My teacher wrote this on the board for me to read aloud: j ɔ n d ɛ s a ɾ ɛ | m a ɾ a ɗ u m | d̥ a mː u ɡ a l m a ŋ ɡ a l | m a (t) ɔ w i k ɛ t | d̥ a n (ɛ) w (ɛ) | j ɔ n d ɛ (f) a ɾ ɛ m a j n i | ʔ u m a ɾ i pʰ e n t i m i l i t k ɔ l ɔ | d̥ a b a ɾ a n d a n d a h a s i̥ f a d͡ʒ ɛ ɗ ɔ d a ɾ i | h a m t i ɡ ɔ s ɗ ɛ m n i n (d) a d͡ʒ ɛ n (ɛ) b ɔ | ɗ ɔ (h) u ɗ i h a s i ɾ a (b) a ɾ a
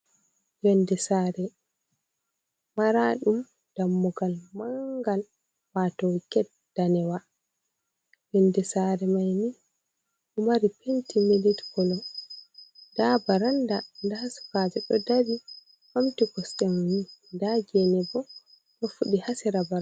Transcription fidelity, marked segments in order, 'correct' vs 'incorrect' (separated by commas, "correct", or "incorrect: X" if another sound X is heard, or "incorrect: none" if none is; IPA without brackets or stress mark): correct, correct, incorrect: a, incorrect: s, correct, correct, incorrect: f, correct